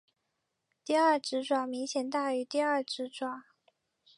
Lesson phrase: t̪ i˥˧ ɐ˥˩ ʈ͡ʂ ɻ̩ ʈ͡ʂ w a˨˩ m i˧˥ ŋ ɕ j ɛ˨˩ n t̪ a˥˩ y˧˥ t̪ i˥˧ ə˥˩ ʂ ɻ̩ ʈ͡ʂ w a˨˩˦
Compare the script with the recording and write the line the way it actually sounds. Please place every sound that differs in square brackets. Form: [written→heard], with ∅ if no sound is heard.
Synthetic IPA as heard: t̪ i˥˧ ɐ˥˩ ʈ͡ʂ ɻ̩ ʈ͡ʂ w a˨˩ m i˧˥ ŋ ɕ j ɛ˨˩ n t̪ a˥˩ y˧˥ t̪ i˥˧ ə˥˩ [ʂ→ʈ͡ʂ] ɻ̩ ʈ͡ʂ w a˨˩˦